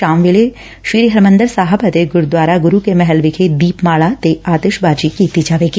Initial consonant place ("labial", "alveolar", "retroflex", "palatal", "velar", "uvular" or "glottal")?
labial